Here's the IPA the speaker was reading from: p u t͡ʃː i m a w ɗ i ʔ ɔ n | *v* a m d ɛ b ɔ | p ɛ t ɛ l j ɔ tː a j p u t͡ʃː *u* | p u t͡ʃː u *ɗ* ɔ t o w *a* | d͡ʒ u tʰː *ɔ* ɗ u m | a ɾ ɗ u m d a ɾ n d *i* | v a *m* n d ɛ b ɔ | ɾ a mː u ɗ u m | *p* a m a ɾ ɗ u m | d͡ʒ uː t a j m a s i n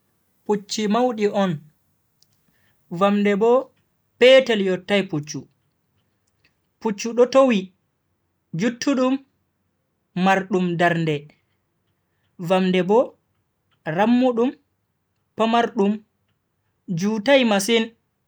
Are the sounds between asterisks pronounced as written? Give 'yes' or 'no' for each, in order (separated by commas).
yes, yes, yes, no, no, no, yes, yes